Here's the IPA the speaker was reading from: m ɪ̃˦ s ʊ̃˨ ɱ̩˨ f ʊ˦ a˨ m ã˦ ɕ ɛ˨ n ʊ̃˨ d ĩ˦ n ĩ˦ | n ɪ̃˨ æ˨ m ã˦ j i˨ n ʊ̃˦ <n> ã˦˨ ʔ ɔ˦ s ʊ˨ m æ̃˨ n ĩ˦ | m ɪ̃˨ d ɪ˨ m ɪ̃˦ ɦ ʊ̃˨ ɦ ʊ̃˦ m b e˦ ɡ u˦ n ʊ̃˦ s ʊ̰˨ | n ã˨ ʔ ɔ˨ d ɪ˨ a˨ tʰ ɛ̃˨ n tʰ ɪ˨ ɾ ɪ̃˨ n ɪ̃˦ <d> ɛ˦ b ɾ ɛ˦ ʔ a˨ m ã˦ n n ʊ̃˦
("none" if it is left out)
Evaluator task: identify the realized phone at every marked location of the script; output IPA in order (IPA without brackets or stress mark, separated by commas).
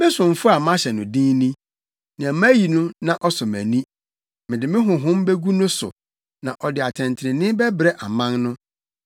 n, b